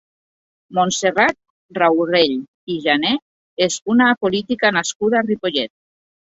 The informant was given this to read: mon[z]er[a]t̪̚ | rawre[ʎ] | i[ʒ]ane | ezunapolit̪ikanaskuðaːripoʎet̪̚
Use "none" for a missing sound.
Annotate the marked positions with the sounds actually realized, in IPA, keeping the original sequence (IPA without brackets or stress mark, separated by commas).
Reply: s, a, ʎ, ʒ